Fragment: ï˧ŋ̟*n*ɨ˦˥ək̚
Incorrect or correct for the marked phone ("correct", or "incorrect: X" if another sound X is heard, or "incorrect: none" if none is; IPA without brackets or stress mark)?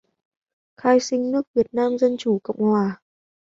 correct